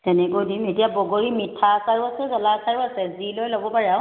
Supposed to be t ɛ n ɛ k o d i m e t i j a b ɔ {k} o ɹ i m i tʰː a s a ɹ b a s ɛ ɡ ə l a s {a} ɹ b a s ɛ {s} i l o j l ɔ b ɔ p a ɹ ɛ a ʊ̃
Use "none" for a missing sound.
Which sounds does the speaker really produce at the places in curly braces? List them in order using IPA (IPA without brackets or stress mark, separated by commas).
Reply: ɡ, a, z